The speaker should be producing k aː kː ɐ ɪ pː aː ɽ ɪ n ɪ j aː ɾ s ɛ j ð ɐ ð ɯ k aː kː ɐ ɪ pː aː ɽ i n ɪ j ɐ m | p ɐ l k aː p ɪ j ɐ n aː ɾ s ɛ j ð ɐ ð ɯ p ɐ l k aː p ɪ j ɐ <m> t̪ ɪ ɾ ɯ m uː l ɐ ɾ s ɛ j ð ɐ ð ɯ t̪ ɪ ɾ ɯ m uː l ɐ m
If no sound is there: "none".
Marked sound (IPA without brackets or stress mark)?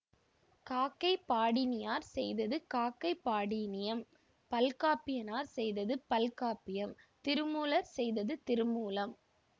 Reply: m